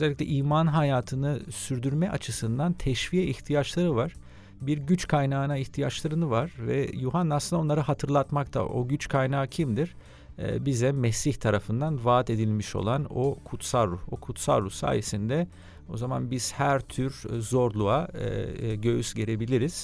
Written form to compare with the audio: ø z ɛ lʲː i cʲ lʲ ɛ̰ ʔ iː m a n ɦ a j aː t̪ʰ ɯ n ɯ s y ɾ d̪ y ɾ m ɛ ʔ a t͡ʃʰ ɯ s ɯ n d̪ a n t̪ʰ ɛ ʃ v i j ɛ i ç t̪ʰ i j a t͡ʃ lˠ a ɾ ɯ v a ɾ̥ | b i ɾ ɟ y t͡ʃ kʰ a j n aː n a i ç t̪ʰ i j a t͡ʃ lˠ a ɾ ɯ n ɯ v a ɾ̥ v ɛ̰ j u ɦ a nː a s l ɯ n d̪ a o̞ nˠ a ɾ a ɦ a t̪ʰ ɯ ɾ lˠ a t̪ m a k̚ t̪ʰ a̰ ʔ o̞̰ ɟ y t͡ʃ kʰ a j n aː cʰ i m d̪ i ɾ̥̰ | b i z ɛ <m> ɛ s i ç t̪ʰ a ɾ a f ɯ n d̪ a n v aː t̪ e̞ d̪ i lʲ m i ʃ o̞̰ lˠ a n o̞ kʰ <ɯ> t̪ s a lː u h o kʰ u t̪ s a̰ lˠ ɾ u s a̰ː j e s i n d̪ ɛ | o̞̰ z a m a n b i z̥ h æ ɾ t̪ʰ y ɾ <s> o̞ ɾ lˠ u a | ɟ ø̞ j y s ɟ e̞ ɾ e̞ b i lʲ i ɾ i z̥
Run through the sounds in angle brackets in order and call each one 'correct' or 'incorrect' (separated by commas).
correct, incorrect, incorrect